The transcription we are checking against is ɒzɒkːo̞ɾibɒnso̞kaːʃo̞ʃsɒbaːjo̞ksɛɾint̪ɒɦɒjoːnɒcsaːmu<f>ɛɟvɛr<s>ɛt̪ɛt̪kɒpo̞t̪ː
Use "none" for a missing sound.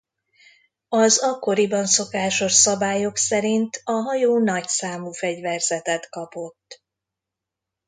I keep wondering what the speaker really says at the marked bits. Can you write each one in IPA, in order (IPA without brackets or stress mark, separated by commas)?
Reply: f, z